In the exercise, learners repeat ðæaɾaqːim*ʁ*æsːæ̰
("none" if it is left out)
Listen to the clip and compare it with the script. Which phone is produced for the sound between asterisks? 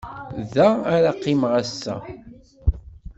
ʁ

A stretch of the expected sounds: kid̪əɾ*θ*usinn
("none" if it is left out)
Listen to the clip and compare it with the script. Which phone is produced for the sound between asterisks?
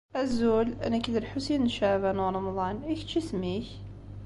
ħ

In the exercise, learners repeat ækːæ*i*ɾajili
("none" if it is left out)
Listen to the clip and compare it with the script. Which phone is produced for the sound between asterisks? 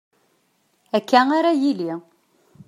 a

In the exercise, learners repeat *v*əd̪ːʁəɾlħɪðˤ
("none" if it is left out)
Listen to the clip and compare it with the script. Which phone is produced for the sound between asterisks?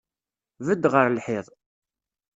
v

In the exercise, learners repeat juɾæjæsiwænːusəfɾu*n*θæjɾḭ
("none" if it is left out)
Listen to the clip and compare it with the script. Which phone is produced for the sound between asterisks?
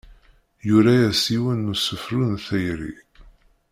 n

